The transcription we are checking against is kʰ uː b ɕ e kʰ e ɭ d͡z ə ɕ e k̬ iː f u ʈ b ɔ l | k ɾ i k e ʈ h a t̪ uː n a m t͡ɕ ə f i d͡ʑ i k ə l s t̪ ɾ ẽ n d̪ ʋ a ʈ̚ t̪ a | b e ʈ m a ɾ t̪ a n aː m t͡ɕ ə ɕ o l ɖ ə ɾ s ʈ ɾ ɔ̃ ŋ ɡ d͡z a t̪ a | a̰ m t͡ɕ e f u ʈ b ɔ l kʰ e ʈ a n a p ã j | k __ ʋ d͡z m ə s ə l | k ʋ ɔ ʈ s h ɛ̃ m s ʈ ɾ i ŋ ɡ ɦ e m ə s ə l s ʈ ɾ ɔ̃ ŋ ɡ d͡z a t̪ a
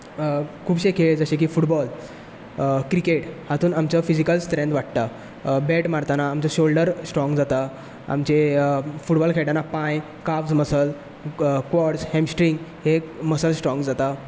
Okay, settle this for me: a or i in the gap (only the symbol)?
a